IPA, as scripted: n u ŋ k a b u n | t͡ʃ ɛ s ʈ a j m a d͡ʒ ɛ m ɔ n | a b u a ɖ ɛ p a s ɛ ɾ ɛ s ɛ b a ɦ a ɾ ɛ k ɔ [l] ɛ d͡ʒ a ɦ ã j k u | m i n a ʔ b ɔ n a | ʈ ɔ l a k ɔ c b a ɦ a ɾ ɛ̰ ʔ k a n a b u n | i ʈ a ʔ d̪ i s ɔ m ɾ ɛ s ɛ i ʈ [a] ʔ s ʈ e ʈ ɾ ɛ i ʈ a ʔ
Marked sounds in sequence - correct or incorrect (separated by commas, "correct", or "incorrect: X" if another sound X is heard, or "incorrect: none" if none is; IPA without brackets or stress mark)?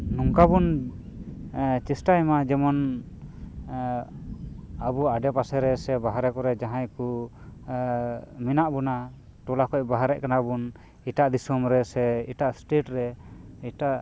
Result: incorrect: ɾ, correct